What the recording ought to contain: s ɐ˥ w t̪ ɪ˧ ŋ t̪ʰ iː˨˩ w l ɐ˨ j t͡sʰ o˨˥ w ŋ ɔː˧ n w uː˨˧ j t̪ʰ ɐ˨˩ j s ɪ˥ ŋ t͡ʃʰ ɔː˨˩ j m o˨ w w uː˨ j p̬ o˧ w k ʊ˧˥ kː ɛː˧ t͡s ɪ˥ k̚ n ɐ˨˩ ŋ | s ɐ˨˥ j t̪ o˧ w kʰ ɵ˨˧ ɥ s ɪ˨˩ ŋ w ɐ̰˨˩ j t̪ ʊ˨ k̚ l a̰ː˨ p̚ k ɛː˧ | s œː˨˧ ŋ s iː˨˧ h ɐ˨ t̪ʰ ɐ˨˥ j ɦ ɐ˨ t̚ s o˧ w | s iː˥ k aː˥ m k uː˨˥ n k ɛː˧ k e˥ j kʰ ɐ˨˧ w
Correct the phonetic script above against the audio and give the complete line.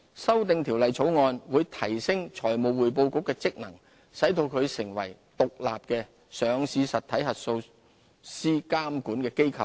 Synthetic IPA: s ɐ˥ w t̪ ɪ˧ ŋ t̪ʰ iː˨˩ w l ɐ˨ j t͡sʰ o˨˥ w ŋ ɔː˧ n w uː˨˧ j t̪ʰ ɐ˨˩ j s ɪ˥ ŋ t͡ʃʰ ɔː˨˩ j m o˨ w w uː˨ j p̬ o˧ w k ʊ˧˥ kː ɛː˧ t͡s ɪ˥ k̚ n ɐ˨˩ ŋ | s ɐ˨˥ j t̪ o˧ w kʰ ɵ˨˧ ɥ s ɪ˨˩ ŋ w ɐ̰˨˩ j t̪ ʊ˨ k̚ l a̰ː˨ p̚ k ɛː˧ | s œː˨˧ ŋ s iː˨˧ s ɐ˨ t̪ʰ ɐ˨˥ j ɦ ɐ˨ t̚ s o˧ w | s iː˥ k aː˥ m k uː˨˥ n k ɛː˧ k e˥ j kʰ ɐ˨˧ w